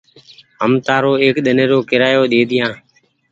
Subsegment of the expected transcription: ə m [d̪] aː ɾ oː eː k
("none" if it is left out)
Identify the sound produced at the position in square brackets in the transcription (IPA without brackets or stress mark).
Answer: t̪